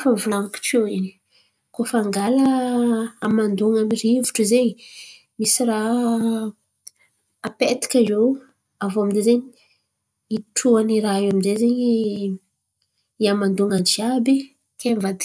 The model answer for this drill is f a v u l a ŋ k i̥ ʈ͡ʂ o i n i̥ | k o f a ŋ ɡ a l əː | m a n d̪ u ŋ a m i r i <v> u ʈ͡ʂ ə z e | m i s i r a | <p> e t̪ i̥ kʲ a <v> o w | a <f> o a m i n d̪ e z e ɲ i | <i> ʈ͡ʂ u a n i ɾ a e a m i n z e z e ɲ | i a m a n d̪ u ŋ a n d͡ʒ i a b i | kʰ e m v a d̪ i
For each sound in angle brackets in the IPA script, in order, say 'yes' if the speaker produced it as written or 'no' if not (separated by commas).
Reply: yes, yes, no, no, yes